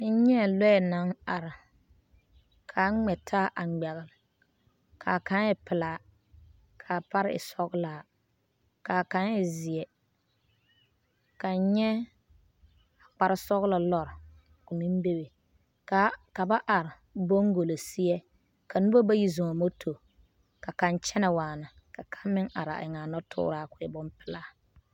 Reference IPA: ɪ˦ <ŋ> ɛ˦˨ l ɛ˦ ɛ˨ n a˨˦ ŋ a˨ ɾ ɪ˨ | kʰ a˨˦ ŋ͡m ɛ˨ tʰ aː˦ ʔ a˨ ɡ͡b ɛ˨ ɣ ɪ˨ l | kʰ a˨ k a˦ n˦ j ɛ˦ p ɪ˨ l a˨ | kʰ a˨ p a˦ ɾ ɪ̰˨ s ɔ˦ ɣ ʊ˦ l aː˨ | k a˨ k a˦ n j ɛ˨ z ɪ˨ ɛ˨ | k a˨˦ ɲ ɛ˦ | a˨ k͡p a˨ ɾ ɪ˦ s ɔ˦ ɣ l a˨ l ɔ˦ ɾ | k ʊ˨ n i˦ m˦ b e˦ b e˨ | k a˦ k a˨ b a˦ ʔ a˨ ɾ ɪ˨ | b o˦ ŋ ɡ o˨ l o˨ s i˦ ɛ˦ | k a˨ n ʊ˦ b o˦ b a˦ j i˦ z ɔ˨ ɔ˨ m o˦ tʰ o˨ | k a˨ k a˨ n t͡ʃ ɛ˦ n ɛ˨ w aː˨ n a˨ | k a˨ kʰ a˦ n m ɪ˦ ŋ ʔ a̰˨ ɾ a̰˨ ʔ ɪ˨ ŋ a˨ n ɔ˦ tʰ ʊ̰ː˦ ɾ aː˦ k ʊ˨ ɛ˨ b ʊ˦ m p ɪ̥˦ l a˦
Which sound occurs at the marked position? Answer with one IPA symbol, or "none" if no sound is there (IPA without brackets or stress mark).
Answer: ɲ